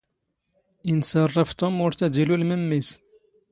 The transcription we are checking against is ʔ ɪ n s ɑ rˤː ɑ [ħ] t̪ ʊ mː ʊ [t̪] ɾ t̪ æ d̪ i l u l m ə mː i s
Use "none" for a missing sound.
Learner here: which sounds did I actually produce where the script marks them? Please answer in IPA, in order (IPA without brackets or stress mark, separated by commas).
f, none